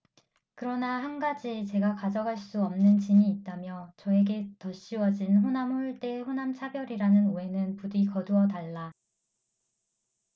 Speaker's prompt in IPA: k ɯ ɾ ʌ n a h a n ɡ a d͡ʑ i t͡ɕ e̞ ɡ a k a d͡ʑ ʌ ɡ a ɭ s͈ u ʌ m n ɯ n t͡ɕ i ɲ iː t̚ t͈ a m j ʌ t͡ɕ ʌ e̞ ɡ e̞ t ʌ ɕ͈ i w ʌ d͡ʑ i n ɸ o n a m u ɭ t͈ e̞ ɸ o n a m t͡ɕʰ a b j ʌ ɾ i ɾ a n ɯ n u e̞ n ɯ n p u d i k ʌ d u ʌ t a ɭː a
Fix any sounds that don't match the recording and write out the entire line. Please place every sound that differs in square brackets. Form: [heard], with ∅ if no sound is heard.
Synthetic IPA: k ɯ ɾ ʌ n a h a n ɡ a d͡ʑ i t͡ɕ e̞ ɡ a k a d͡ʑ ʌ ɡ a ɭ s͈ u ʌ m n ɯ n t͡ɕ i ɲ iː t̚ t͈ a m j ʌ t͡ɕ ʌ e̞ ɡ e̞ t ʌ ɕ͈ i w ʌ d͡ʑ i n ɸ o n a m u ɭ t͈ e̞ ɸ o n a m t͡ɕʰ a b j ʌ ɾ i ɾ a n ɯ n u e̞ n ɯ n p u d i k ʌ d u ʌ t a ɭː a